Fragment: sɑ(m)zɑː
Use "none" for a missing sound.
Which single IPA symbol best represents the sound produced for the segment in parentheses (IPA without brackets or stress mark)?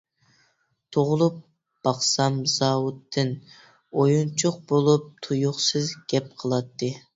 m